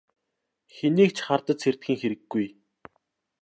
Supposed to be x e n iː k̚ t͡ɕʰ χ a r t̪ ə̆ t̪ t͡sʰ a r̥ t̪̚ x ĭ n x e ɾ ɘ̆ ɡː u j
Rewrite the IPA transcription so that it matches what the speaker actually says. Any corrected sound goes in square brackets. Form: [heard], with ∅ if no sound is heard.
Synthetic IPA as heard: x e n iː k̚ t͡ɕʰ χ a r t̪ ə̆ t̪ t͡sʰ [e] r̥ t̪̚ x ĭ [ŋ] x e ɾ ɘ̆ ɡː u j